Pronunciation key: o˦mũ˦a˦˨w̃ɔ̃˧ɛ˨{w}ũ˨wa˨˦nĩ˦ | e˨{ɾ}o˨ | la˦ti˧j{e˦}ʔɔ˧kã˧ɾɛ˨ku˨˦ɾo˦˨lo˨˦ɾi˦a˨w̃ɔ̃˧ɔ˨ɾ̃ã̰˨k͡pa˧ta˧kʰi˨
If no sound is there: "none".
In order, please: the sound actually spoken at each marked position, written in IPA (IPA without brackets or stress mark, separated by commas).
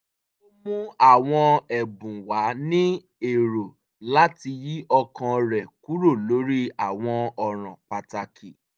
b, ɾ, i˦